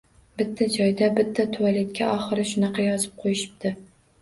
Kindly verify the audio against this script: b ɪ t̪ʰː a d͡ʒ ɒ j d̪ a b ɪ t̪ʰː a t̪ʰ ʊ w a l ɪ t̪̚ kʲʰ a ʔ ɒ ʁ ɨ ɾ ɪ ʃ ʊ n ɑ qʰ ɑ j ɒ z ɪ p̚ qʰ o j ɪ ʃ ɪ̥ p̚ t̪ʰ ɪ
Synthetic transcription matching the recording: b ɪ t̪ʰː a d͡ʒ ɒ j d̪ a b ɪ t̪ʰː a t̪ʰ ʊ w a l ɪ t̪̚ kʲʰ a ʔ ɒ χ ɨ ɾ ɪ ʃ ʊ n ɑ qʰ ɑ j ɒ z ɪ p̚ qʰ o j ɪ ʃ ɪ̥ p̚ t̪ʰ ɪ